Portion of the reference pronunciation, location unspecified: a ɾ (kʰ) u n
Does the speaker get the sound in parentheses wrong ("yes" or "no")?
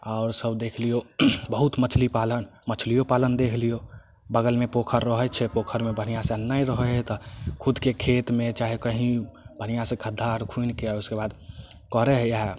no